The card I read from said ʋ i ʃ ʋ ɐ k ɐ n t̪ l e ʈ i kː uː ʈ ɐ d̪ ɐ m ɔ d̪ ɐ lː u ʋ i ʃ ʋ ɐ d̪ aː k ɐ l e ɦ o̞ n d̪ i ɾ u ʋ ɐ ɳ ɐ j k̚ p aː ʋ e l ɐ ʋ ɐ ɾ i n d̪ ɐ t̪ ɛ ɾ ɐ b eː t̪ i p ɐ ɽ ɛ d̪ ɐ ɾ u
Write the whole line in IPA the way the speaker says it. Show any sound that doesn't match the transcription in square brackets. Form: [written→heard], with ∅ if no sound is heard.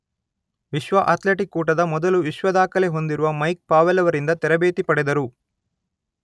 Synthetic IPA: ʋ i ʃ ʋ ɐ [k→ʔ] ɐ [n→∅] t̪ l e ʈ i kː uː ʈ ɐ d̪ ɐ m ɔ d̪ ɐ [lː→l] u ʋ i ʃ ʋ ɐ d̪ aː k ɐ l e ɦ o̞ n d̪ i ɾ u ʋ ɐ [ɳ→m] ɐ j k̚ p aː ʋ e l ɐ ʋ ɐ ɾ i n d̪ ɐ t̪ ɛ ɾ ɐ b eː t̪ i p ɐ ɽ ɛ d̪ ɐ ɾ u